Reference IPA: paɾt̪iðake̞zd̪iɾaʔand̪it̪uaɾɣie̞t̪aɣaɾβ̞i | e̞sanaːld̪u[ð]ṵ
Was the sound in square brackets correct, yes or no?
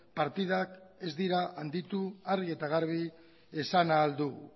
no